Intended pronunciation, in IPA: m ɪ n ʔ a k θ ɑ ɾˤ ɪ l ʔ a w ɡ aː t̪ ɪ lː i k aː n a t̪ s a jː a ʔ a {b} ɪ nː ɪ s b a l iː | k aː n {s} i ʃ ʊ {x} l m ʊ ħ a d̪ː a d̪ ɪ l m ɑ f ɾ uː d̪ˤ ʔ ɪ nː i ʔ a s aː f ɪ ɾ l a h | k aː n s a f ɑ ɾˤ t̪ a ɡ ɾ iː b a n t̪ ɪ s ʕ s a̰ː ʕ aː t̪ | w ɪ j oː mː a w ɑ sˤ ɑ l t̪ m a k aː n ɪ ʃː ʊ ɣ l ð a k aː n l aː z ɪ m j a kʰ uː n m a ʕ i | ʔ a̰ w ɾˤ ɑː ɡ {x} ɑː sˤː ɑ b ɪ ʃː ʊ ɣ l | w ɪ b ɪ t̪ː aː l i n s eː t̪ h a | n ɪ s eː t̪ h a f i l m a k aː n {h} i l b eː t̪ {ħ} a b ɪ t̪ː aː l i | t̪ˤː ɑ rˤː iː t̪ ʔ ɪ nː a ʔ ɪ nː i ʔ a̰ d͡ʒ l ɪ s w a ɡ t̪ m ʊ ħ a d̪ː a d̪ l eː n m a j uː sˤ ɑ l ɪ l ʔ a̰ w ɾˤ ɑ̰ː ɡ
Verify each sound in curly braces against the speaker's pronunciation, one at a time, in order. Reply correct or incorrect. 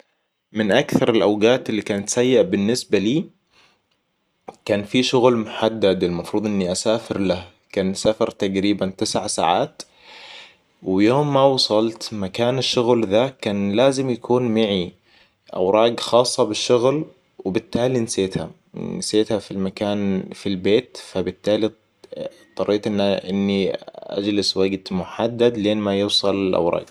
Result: correct, incorrect: f, incorrect: ɣ, correct, incorrect: f, incorrect: f

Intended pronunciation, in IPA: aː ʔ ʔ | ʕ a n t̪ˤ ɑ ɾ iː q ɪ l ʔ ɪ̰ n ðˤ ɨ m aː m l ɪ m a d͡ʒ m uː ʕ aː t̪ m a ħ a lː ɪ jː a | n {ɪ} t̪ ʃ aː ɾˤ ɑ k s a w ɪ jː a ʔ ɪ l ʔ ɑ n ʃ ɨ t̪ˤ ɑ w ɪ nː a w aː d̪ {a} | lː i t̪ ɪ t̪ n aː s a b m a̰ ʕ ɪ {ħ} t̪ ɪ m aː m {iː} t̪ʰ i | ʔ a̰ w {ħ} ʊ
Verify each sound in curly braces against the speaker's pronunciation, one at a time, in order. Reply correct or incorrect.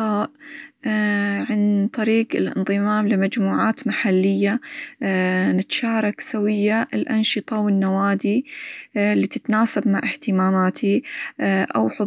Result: correct, incorrect: i, incorrect: h, incorrect: aː, correct

